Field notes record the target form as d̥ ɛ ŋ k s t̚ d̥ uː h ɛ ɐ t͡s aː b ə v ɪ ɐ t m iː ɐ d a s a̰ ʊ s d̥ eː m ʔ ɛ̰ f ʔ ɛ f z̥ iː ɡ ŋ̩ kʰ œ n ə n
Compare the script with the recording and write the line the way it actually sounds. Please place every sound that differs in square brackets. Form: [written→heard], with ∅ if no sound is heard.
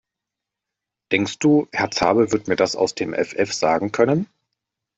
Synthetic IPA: d̥ ɛ ŋ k s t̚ d̥ uː h ɛ ɐ t͡s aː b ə v ɪ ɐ t m iː ɐ d a s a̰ ʊ s d̥ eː m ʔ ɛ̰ f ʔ ɛ f z̥ [iː→aː] ɡ ŋ̩ kʰ œ n ə n